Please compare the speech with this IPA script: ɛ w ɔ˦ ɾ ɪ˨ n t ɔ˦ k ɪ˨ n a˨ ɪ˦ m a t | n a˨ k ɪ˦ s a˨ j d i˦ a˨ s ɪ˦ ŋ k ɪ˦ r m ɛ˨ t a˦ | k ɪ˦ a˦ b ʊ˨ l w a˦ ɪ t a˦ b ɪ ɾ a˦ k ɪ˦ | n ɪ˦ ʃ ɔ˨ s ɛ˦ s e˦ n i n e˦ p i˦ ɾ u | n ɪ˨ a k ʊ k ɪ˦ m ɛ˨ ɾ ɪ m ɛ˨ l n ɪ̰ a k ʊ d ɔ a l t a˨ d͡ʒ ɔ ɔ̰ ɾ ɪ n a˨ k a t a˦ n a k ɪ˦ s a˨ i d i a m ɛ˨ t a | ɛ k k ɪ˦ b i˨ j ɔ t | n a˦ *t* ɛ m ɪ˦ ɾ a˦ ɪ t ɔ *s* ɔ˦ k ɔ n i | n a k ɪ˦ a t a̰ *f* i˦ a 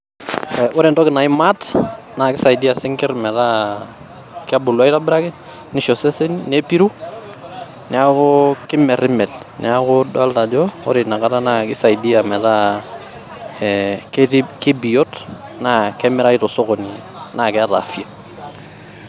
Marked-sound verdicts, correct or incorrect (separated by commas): incorrect, correct, correct